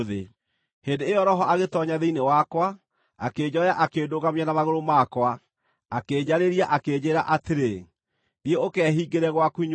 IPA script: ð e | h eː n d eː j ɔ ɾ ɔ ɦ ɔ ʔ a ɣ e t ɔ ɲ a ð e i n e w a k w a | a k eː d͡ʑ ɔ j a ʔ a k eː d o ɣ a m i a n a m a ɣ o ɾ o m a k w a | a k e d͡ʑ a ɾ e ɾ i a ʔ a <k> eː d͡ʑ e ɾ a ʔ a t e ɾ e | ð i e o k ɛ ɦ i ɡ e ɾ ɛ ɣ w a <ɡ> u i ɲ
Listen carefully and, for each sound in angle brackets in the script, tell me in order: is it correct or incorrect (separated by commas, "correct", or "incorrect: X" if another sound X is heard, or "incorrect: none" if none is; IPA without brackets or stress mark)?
correct, incorrect: k